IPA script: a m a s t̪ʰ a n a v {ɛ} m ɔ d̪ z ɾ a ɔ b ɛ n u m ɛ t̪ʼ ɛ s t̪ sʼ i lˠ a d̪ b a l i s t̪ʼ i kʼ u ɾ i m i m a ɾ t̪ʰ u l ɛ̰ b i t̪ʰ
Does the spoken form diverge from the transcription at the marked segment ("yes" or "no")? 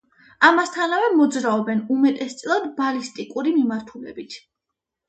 no